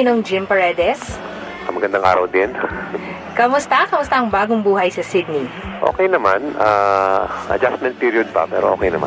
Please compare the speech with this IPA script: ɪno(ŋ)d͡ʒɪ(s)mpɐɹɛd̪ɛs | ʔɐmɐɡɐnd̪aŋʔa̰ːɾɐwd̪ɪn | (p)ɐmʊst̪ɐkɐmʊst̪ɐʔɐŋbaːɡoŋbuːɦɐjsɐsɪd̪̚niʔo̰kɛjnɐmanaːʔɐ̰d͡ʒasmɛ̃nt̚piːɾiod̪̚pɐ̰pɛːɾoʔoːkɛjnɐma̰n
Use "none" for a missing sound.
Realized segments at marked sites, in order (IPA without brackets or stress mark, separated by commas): ŋ, none, k